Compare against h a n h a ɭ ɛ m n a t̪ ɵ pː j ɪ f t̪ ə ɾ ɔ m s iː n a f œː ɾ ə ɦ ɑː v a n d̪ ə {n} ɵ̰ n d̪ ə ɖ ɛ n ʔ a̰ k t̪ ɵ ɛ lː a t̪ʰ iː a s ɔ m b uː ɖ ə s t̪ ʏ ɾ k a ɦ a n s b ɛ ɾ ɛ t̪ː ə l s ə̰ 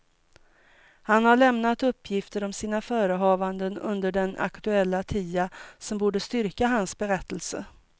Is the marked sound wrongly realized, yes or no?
no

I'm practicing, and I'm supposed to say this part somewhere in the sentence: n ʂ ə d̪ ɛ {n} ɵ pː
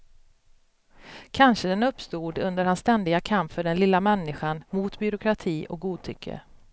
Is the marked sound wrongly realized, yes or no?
no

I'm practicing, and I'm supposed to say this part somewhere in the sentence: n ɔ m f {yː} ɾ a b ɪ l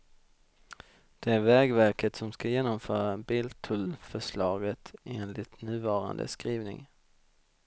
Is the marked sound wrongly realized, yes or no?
yes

